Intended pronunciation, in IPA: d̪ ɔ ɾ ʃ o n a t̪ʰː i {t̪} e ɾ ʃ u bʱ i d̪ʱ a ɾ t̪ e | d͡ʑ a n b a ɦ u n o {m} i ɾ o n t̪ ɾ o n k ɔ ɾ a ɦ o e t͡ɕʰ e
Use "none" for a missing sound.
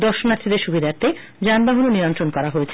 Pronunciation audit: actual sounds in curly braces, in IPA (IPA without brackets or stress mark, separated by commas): d̪, n